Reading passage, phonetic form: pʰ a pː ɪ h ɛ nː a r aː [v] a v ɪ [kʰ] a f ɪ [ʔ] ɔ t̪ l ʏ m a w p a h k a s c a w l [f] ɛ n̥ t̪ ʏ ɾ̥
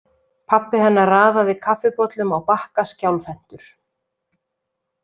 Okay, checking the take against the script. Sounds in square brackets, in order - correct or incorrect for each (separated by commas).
incorrect, correct, incorrect, correct